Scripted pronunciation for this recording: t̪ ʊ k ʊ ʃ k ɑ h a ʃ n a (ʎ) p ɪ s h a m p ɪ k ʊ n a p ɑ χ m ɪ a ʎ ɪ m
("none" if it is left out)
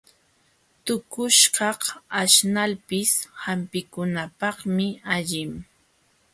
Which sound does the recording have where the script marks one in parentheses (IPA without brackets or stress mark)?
l